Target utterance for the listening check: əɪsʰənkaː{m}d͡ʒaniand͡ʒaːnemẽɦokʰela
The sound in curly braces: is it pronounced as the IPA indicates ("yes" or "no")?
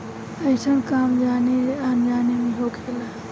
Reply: yes